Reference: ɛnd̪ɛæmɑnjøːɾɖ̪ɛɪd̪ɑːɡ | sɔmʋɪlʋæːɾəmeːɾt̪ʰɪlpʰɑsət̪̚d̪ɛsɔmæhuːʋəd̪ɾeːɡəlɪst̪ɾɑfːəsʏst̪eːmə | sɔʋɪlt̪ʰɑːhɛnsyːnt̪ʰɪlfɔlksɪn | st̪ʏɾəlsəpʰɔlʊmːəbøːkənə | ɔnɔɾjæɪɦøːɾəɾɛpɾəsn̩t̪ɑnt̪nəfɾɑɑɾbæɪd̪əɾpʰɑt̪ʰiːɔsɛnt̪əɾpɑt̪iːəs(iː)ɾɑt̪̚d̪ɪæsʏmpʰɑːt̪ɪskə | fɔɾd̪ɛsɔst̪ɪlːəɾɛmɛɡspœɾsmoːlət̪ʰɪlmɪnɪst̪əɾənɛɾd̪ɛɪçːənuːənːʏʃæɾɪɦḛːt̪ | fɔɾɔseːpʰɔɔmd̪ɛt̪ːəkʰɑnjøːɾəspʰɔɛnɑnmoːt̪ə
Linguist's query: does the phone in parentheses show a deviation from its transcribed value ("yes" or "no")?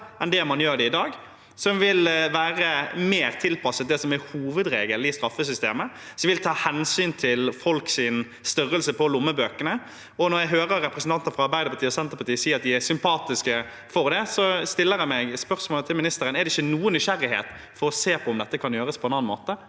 no